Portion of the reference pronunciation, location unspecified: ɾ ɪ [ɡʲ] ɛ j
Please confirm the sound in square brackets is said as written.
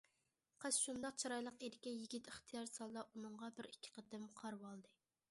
no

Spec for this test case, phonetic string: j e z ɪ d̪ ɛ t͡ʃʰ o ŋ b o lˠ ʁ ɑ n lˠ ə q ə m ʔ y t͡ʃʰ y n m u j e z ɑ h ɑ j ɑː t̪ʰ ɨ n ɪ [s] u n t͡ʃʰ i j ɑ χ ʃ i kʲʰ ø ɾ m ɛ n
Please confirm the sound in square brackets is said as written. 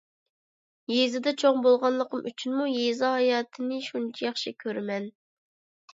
no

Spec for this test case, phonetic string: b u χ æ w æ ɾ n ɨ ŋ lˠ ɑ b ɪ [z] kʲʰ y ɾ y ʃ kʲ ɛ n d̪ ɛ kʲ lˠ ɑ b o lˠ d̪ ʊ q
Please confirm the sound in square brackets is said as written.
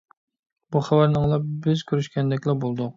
yes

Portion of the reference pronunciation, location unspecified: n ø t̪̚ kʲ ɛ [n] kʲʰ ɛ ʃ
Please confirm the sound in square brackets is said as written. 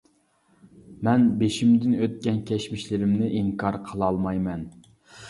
yes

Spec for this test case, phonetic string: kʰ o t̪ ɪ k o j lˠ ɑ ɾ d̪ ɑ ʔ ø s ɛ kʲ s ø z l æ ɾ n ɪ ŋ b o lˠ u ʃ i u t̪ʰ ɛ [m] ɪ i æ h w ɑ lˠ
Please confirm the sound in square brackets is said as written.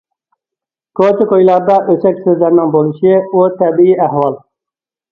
no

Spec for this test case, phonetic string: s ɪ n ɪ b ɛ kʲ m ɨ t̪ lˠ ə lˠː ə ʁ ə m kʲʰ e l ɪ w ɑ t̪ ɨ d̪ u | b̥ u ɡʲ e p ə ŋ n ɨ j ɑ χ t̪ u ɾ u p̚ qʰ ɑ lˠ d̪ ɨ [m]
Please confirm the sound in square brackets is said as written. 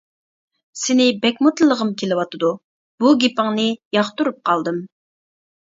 yes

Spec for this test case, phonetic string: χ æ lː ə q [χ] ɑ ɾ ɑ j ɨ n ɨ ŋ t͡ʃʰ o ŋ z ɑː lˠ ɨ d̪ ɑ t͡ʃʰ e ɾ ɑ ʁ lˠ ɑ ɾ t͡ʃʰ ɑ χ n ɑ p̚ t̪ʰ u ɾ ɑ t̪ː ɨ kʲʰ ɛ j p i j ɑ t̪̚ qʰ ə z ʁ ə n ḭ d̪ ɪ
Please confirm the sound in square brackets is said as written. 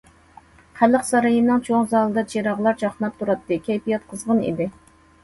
no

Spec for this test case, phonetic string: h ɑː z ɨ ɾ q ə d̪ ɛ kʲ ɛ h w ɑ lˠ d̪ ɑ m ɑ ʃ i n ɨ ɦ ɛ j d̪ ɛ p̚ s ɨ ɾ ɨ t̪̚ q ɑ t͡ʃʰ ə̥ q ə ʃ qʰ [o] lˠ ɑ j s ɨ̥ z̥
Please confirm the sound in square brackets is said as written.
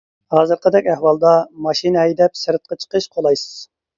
yes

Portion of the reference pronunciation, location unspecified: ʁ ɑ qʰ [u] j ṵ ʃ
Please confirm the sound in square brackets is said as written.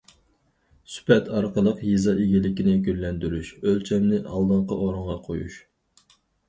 no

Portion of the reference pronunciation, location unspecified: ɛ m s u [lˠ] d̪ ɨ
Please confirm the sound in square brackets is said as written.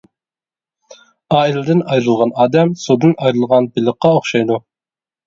no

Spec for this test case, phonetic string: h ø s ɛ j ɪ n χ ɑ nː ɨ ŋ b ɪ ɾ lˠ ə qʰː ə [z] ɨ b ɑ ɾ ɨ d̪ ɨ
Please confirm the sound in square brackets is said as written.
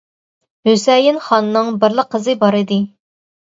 yes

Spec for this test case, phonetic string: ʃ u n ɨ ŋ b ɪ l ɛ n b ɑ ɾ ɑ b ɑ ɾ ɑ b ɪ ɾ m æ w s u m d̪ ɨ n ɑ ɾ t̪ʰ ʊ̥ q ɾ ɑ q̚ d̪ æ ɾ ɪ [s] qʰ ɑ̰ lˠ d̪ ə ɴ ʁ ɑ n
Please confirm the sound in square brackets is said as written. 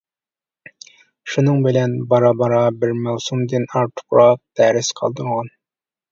yes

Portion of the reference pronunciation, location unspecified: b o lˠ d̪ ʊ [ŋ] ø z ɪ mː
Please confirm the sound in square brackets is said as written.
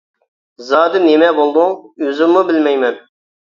yes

